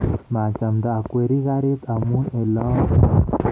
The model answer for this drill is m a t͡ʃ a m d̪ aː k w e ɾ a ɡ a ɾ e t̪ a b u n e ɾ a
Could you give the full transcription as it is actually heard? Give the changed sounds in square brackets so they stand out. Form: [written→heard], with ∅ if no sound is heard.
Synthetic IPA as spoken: m a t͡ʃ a m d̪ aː k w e ɾ [a→i] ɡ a ɾ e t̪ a [b→m] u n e [ɾ→l] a